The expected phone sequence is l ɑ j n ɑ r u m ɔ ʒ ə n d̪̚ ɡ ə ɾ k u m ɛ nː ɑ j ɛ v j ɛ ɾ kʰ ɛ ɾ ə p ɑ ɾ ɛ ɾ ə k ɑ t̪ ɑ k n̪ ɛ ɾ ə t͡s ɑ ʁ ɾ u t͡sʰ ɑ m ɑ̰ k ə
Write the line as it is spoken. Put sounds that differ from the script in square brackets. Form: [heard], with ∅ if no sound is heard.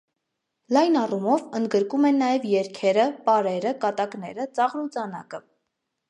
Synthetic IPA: l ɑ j n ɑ r u m ɔ [v] ə n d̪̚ ɡ ə ɾ k u m ɛ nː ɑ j ɛ v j ɛ ɾ kʰ ɛ ɾ ə p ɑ ɾ ɛ ɾ ə k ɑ t̪ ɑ k n̪ ɛ ɾ ə t͡s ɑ ʁ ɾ u [t͡s] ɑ [n] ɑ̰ k ə